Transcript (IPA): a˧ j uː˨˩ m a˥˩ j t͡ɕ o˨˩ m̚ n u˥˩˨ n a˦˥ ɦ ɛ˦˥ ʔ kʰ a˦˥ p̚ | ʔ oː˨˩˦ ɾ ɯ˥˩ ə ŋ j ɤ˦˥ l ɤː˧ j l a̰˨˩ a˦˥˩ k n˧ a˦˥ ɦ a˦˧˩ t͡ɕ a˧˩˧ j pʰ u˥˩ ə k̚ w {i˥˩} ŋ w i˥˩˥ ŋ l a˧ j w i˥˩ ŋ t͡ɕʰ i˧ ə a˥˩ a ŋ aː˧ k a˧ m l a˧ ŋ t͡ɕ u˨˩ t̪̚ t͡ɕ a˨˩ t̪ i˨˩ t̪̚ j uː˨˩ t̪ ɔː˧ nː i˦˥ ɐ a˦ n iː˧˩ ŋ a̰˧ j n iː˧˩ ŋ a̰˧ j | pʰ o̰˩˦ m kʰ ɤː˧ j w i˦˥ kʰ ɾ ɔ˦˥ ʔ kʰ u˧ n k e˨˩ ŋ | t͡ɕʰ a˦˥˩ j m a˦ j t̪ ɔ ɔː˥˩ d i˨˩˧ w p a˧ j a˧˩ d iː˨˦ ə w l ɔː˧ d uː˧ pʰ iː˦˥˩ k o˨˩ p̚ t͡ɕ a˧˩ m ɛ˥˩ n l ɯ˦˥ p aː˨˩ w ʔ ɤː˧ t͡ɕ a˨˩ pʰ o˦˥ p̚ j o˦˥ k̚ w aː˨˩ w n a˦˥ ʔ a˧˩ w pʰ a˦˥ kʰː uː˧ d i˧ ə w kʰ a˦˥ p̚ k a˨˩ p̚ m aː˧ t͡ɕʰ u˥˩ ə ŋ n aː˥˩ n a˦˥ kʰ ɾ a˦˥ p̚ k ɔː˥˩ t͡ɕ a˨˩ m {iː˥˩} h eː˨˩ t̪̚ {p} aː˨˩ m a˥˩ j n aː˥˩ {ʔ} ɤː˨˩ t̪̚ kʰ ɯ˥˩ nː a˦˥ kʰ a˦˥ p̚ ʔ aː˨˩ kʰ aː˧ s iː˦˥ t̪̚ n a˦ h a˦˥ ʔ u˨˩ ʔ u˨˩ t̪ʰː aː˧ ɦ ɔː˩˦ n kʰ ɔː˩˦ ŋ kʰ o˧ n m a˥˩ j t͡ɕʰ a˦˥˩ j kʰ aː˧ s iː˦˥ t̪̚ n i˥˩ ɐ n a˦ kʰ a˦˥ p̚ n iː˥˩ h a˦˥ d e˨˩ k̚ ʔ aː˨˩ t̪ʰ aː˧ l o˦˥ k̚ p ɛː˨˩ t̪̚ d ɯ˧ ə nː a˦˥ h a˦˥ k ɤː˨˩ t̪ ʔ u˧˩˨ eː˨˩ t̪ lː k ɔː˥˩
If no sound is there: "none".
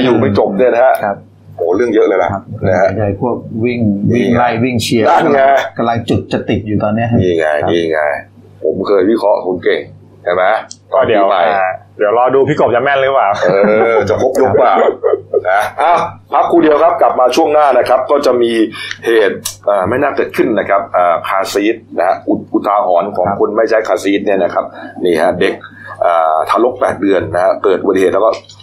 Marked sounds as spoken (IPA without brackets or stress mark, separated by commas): i˥˩, iː˧, ʔ, k